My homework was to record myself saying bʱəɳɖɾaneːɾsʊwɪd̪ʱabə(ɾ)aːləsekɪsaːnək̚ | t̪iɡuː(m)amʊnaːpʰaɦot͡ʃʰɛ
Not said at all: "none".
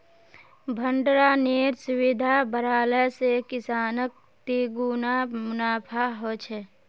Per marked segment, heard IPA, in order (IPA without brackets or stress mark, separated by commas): ɾ, n